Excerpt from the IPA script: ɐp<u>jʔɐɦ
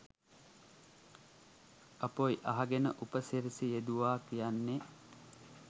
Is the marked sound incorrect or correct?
incorrect: o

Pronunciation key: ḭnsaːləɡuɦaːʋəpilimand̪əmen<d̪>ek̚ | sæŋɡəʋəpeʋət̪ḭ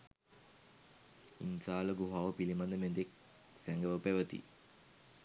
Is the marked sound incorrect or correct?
correct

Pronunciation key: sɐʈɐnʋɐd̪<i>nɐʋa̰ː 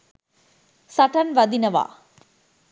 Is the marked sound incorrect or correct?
correct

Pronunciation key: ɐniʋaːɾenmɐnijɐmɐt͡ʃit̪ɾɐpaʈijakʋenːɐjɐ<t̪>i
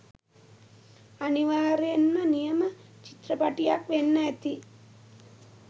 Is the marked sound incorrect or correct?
correct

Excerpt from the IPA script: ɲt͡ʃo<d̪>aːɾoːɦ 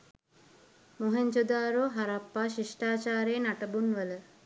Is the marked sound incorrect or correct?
correct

